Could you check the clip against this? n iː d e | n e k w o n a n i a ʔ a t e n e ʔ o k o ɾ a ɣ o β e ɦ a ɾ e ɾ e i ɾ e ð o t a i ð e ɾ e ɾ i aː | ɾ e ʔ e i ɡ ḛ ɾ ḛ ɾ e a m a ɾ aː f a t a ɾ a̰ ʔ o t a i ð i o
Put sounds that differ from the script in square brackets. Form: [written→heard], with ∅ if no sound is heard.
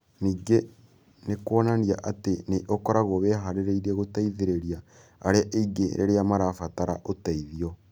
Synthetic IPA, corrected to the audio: n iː [d→ɡ] e | n e k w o n a n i a ʔ a t e n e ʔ o k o ɾ a ɣ o β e ɦ a ɾ e ɾ e i ɾ e [ð→ɣ] o t a i ð e ɾ e ɾ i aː | ɾ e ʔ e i ɡ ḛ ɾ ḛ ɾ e a m a ɾ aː f a t a ɾ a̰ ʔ o t a i ð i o